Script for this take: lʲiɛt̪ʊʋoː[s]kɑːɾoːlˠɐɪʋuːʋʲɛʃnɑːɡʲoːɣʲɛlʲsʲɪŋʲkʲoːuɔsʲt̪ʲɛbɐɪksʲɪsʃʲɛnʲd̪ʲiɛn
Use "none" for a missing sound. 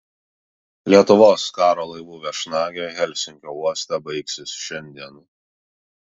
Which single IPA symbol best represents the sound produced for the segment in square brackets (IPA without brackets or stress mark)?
s